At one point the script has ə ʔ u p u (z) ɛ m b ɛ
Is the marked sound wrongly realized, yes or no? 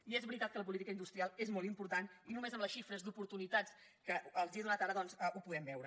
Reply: yes